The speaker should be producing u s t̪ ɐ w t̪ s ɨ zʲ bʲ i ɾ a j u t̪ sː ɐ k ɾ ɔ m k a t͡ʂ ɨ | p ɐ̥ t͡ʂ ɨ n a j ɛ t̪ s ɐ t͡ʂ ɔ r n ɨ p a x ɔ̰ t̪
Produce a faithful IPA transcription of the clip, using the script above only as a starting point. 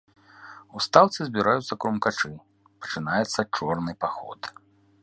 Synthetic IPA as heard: u s t̪ a w t̪ s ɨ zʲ bʲ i ɾ a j u t̪ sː ɐ k ɾ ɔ m k a t͡ʂ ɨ | p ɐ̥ t͡ʂ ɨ n a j ɛ t̪ sː ɐ t͡ʂ ɔ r n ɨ p a x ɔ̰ t̪